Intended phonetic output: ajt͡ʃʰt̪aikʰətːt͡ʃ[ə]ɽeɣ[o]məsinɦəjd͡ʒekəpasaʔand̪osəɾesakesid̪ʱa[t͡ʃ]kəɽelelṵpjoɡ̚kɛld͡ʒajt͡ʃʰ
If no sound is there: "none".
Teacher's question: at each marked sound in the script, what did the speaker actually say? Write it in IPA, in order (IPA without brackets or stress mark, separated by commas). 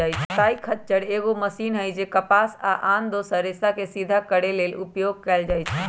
ə, o, none